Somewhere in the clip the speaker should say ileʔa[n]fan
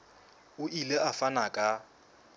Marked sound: incorrect: none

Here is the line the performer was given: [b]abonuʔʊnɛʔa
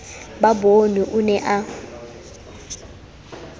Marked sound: correct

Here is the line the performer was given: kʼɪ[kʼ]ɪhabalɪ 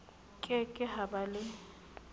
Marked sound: correct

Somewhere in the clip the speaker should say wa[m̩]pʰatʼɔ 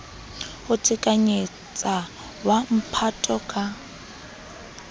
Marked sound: correct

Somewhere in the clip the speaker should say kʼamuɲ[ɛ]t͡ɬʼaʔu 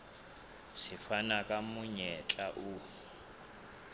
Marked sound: correct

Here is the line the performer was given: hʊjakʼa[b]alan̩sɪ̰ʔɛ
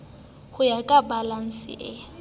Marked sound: correct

